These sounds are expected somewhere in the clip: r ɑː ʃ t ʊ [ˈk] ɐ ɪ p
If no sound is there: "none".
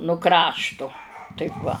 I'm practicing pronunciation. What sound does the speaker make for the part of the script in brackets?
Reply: t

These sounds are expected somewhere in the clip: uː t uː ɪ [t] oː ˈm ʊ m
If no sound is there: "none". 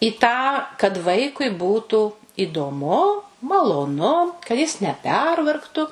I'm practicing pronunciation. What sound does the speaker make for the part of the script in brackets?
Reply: d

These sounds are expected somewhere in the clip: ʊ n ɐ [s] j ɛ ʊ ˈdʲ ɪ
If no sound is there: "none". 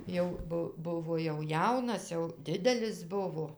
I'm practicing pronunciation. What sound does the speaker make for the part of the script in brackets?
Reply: s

